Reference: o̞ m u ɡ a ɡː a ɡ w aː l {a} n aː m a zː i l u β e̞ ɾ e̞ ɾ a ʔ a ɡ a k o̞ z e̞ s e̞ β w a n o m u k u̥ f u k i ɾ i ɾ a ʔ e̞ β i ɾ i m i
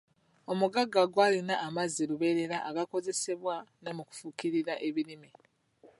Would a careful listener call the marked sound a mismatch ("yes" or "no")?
yes